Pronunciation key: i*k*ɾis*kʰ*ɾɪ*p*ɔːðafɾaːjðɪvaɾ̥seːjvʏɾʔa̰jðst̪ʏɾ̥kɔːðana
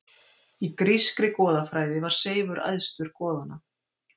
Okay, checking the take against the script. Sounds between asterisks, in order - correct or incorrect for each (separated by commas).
correct, incorrect, incorrect